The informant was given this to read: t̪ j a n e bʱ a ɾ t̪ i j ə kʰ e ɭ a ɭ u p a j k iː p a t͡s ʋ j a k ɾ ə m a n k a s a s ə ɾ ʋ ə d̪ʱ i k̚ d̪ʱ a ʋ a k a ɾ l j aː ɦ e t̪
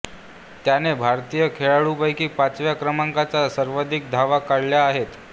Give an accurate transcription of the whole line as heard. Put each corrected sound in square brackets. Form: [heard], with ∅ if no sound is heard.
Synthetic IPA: t̪ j a n e bʱ a ɾ t̪ i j ə kʰ e ɭ a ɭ u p a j k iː p a t͡s ʋ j a k ɾ ə m a [ŋ] k a [t͡s] a s ə ɾ ʋ ə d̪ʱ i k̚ d̪ʱ a ʋ a k a [ɽ] l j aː ɦ e t̪